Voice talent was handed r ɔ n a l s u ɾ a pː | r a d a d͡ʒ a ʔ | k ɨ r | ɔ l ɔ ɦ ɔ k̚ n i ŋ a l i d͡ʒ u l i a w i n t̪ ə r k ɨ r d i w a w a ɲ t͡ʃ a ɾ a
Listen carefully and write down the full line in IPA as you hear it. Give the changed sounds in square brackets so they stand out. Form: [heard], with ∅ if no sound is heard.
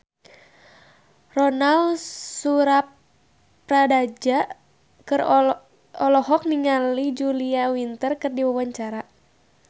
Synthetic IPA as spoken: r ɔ n a l s u ɾ a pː | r a d a d͡ʒ a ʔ | k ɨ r | ɔ l ɔ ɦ ɔ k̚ n i ŋ a l i d͡ʒ u l i a w i n t̪ ə r k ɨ r d i w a w a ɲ t͡ʃ a ɾ a